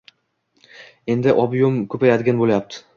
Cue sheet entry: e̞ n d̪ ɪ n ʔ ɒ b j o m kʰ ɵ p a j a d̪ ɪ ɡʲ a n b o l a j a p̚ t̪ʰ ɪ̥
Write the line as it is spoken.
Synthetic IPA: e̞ n d̪ ɪ ʔ ɒ b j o m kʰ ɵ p a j a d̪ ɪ ɡʲ a n b o l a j a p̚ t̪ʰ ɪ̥